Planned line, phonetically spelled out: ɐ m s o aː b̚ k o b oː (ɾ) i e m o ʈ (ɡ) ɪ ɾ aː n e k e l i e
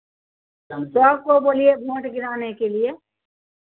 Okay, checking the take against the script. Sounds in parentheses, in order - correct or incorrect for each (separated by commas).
incorrect, correct